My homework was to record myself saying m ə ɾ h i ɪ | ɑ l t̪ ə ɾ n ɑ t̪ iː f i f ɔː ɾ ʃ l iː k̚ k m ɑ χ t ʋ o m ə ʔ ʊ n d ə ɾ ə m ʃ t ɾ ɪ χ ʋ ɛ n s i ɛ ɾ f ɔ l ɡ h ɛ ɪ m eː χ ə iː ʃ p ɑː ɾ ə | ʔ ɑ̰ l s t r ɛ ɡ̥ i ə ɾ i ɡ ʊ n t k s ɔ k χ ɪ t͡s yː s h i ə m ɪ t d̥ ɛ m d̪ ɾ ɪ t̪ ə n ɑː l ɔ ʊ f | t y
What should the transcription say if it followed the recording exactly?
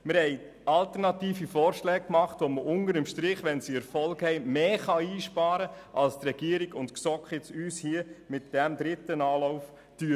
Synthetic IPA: m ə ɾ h ɛ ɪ | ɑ l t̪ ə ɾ n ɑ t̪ iː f i f ɔː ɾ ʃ l ɛː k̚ k m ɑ χ t ʋ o m ə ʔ ʊ n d ə ɾ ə m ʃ t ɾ ɪ χ ʋ ɛ n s i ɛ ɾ f ɔ l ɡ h ɛ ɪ m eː χ ɑ iː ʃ p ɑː ɾ ə | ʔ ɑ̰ l s t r ɛ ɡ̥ i ə ɾ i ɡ ʊ n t k s ɔ k χ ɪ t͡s yː s h i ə m ɪ t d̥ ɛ m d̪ ɾ ɪ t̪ ə n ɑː l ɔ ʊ f | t y